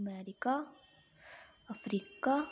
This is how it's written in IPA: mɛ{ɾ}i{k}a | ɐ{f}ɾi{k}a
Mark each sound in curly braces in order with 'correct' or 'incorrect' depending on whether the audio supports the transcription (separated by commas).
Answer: correct, correct, correct, correct